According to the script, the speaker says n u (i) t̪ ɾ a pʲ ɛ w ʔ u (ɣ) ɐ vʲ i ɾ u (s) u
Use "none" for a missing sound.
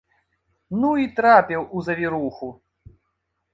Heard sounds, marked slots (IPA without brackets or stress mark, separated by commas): i, z, x